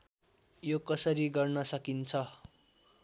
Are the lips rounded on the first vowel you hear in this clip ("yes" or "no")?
yes